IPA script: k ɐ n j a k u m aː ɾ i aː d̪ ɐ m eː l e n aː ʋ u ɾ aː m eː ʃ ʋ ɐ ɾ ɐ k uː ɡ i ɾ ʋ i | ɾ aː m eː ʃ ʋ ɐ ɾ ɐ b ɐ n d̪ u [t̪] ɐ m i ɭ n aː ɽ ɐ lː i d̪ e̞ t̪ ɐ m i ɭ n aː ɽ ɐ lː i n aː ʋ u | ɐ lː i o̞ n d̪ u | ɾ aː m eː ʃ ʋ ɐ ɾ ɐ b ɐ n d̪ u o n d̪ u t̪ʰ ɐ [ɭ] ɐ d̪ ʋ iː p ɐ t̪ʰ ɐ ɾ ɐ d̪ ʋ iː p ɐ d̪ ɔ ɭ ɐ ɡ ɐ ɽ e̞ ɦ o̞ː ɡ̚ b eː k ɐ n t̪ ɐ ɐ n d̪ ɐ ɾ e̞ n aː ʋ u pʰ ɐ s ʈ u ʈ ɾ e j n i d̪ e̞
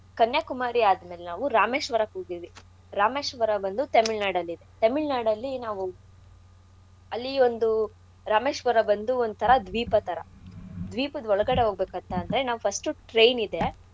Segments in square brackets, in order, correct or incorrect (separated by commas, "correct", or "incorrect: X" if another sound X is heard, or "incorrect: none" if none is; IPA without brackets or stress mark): correct, incorrect: ɾ